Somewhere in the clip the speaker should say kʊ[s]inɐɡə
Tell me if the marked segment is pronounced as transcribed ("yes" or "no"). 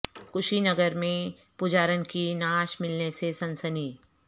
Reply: no